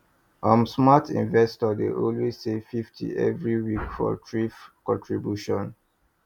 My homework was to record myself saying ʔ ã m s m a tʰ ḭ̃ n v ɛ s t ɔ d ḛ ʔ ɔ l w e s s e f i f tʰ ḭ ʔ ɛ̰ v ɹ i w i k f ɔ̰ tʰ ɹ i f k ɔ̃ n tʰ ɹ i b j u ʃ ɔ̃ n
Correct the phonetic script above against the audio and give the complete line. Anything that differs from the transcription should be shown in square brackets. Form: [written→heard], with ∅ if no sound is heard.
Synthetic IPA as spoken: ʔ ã m s m a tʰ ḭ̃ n v ɛ s t ɔ d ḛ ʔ ɔ l w e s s e f i f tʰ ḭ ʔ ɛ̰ v ɹ i w i k f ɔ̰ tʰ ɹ i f k ɔ̃ n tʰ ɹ i b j u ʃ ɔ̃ n